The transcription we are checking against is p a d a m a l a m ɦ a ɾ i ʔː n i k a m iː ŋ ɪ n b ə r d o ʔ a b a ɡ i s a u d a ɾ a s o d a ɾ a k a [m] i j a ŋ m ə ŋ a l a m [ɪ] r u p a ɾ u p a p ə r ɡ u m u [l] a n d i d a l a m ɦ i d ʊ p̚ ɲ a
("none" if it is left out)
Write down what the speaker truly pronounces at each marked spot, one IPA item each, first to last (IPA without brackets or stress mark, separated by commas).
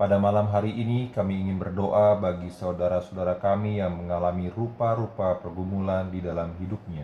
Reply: m, i, l